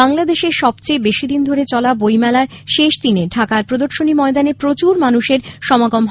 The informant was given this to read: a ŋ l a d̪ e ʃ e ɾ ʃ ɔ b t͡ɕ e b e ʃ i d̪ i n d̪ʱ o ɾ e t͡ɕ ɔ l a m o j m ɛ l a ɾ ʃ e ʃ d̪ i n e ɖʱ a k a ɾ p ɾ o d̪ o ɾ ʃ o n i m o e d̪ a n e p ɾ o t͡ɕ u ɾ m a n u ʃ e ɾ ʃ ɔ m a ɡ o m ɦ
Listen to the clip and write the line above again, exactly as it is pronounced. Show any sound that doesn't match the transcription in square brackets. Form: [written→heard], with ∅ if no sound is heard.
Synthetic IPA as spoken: a ŋ l a d̪ e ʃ e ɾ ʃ ɔ b t͡ɕ e b e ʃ i d̪ i n d̪ʱ o ɾ e t͡ɕ ɔ l a [m→b] o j m ɛ l a ɾ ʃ e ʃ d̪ i n e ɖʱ a k a ɾ p ɾ o d̪ o ɾ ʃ o n i m [o→ɔ] e d̪ a n e p ɾ o t͡ɕ u ɾ m a n u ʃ e ɾ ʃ ɔ m a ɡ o m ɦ